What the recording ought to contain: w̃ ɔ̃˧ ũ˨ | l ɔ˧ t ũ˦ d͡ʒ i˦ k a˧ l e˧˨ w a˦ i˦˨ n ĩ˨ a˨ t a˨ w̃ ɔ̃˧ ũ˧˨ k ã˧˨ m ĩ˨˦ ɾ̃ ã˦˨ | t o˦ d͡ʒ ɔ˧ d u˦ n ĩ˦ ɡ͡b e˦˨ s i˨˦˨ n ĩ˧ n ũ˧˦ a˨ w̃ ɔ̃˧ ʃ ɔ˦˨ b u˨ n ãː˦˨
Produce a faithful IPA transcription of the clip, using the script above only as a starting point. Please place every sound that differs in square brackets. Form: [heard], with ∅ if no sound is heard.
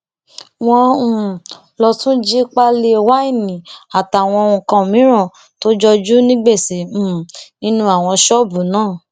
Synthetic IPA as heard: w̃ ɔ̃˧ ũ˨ | l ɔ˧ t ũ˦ d͡ʒ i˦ [k͡p] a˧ l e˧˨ w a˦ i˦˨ n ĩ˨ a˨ t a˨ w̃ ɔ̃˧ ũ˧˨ k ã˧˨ m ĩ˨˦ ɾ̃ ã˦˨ | t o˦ d͡ʒ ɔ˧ [d͡ʒ] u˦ n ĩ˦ ɡ͡b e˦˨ s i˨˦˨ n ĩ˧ n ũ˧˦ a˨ w̃ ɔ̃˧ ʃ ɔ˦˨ b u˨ n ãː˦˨